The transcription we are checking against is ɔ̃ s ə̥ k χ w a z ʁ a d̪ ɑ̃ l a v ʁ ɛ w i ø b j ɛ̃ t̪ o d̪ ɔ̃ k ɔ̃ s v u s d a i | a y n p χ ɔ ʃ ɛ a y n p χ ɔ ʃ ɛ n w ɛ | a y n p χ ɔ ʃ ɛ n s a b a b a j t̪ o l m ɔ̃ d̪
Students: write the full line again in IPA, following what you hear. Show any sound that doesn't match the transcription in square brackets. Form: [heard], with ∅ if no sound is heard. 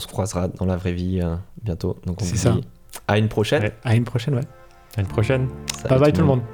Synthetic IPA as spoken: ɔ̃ s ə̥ k χ w a z ʁ a d̪ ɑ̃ l a v ʁ ɛ [v] i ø b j ɛ̃ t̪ o d̪ ɔ̃ k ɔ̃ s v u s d a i | a y n p χ ɔ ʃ ɛ a y n p χ ɔ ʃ ɛ n w ɛ | a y n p χ ɔ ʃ ɛ n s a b a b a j t̪ [u] l m ɔ̃ d̪